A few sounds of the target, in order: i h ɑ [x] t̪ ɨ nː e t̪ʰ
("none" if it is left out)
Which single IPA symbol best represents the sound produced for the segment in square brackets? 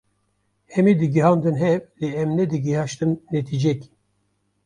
ʃ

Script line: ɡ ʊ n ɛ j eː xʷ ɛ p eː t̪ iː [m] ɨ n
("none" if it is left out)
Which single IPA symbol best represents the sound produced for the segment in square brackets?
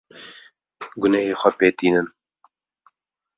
n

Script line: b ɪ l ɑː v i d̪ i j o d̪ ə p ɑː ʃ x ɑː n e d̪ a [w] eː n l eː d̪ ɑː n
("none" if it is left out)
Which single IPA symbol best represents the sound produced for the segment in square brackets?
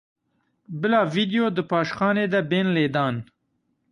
b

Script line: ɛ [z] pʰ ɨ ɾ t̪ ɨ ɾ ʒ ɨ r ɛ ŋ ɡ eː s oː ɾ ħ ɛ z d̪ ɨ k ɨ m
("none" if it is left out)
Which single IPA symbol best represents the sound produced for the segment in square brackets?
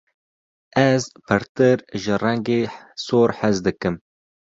z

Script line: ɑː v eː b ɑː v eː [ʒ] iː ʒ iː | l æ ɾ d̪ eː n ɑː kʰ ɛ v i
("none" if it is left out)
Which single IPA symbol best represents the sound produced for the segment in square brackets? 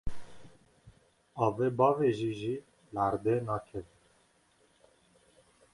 ʒ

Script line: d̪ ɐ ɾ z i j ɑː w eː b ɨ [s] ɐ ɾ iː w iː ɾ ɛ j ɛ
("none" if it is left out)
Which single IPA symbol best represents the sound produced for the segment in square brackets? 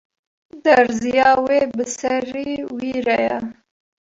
s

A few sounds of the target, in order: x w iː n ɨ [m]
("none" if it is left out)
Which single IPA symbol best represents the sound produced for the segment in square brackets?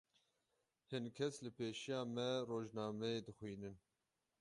n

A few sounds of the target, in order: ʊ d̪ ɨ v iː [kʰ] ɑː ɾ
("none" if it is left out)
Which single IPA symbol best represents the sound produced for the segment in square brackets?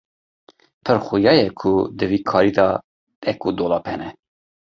kʰ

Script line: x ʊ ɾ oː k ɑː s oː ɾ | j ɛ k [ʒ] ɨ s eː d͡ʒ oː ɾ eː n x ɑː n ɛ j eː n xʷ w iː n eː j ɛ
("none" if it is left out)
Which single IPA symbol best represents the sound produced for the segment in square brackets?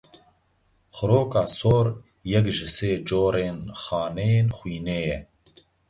ʒ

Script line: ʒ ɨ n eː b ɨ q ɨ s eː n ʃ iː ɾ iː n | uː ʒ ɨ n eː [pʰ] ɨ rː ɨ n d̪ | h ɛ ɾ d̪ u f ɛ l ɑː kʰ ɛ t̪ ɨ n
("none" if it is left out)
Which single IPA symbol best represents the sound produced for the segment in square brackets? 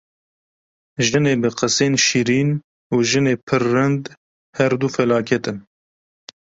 pʰ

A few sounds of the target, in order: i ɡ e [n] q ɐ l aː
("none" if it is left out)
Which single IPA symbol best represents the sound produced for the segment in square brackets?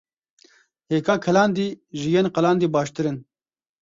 n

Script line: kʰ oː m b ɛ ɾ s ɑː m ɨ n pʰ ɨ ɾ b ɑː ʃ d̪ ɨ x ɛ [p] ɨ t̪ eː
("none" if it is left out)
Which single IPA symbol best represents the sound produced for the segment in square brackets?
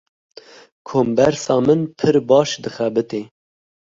b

